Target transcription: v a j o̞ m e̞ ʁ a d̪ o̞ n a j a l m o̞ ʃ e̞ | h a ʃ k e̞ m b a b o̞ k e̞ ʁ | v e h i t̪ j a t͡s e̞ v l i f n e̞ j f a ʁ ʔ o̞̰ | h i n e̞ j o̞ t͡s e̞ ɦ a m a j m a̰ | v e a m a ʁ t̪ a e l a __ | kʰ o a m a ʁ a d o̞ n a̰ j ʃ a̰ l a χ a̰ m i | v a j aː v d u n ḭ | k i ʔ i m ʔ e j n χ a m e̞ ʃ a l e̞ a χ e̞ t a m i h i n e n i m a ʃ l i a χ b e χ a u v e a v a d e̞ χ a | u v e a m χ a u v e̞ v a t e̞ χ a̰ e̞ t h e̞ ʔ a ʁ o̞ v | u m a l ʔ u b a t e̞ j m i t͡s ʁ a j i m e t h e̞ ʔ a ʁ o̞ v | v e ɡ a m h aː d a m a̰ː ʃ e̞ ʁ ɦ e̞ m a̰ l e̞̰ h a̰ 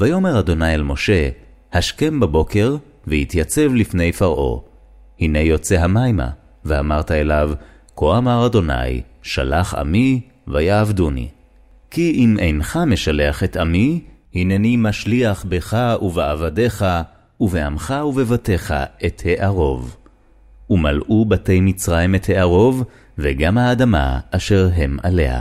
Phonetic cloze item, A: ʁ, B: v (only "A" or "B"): B